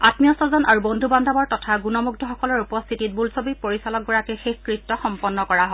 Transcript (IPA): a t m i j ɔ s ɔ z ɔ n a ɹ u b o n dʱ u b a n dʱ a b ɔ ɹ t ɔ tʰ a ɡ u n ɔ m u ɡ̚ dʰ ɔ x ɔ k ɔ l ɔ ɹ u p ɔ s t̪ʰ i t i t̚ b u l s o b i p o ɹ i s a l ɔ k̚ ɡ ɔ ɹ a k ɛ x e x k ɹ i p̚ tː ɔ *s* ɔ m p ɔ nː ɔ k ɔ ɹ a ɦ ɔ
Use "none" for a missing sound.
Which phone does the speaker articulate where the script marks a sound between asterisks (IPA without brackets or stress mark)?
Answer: x